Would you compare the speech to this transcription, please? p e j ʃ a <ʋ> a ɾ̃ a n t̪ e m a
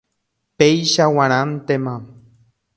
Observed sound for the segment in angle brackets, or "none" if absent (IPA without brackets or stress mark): w